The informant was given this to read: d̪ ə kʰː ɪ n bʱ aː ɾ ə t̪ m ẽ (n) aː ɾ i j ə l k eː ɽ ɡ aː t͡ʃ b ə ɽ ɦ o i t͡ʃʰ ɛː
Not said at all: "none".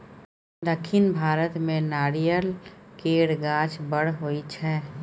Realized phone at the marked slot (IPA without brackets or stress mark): n